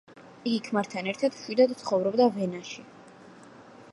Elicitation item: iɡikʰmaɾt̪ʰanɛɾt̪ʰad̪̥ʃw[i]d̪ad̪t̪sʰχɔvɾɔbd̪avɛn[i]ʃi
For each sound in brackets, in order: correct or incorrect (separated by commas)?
correct, incorrect